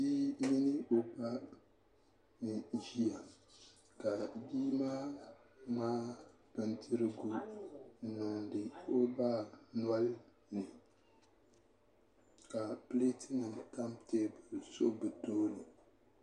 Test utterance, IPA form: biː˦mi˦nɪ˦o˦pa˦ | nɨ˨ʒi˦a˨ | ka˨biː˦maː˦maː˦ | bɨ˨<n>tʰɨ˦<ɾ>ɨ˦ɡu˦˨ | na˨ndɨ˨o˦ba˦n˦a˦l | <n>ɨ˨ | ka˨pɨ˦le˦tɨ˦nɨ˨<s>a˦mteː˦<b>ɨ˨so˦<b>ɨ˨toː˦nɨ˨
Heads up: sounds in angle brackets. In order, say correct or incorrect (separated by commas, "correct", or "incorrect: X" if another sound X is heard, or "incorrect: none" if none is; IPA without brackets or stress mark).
correct, correct, correct, incorrect: t, correct, correct